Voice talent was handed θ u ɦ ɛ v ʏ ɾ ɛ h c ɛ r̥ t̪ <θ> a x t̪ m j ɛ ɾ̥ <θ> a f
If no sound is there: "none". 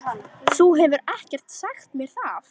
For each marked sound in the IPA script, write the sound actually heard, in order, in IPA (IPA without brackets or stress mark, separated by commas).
s, θ